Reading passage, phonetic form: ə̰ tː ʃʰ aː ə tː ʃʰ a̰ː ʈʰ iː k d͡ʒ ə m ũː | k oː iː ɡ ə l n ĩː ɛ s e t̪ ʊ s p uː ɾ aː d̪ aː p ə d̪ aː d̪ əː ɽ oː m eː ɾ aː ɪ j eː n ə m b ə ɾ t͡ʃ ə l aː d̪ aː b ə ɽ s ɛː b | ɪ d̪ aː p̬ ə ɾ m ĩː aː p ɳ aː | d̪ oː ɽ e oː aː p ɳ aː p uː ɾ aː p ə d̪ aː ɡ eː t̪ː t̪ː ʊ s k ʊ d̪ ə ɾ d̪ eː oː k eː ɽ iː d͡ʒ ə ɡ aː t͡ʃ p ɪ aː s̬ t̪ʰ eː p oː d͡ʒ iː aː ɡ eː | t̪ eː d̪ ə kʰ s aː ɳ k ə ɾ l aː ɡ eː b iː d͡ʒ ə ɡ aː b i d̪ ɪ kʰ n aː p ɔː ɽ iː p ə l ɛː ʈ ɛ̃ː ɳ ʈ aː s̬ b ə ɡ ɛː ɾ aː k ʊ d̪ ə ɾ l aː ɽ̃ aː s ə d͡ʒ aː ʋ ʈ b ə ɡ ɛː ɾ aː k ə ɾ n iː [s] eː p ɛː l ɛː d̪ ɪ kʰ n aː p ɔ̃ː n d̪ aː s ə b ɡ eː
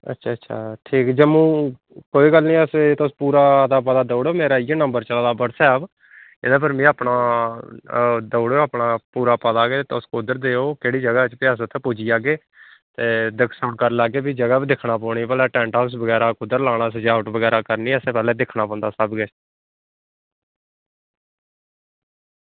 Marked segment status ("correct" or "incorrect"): correct